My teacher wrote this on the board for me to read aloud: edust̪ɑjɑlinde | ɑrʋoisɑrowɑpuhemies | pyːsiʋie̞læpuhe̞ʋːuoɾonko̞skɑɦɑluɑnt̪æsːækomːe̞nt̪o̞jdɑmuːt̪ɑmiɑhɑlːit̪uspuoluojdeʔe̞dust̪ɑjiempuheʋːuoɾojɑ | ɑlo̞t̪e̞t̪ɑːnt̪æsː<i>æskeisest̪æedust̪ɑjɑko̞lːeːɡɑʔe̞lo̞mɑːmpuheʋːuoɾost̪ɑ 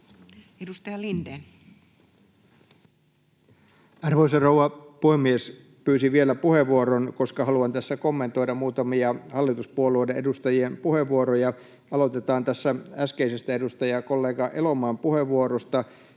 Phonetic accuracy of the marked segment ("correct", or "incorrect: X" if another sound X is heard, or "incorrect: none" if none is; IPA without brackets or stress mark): incorrect: æ